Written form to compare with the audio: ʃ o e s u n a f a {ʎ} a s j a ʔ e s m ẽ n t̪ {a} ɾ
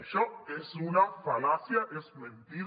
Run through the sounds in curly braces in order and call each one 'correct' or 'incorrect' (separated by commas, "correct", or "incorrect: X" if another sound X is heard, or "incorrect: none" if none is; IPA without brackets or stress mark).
incorrect: l, incorrect: i